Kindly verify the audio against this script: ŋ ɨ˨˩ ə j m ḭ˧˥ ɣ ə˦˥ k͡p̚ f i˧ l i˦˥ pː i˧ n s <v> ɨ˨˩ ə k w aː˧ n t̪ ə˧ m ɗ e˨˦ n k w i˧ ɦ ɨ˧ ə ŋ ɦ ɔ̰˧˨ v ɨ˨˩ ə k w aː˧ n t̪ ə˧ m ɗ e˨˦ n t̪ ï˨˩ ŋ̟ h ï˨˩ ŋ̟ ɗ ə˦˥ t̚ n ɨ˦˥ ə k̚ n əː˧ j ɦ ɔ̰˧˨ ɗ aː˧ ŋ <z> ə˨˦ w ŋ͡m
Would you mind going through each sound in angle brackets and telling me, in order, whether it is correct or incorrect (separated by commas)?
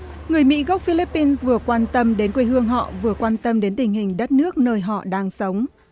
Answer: correct, incorrect